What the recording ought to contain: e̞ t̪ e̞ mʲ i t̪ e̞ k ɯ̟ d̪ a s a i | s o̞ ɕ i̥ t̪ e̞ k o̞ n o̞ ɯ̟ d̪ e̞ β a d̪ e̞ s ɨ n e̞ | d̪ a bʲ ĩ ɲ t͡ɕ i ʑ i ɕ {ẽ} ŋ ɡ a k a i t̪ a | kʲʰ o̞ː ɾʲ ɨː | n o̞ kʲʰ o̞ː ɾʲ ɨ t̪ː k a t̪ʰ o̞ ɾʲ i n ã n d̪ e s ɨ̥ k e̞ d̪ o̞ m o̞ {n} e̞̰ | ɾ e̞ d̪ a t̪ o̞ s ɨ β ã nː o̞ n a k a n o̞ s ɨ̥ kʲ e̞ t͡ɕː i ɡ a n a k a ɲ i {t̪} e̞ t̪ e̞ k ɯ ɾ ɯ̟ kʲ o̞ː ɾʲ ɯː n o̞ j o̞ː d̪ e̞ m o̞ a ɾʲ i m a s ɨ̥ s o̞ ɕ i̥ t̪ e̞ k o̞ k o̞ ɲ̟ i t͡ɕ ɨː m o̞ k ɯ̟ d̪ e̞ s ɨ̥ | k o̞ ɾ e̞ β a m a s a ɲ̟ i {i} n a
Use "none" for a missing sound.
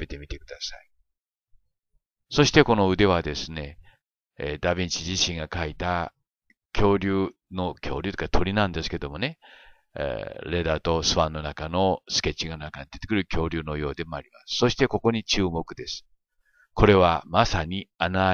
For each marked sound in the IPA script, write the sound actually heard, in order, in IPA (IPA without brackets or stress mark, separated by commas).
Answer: ĩ, n, d̪, a